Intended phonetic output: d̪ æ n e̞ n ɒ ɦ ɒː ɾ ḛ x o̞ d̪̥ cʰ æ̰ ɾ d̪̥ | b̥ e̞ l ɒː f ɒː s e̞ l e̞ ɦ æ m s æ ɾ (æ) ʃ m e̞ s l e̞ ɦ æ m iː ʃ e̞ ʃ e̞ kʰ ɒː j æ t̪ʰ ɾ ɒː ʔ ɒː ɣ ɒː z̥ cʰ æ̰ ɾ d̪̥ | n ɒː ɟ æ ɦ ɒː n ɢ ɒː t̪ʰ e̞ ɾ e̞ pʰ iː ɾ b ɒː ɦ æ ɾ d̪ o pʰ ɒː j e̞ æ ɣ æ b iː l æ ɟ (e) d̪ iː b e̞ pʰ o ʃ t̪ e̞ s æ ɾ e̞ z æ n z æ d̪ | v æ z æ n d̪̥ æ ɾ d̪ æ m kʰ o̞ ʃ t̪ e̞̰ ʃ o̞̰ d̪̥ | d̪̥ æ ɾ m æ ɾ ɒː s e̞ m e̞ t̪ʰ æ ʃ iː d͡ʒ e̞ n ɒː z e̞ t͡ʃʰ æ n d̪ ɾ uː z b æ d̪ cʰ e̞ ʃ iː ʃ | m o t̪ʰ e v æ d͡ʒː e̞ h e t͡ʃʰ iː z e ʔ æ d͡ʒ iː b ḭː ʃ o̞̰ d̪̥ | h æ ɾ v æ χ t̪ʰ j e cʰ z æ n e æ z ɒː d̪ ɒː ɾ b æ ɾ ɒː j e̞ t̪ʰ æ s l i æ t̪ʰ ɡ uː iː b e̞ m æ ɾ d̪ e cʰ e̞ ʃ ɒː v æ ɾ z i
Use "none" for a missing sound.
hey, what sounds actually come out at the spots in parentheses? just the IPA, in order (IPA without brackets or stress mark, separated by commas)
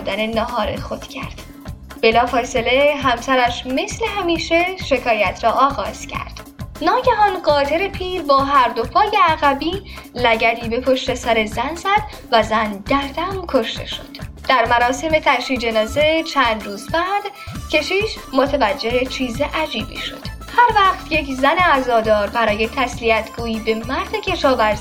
æ, æ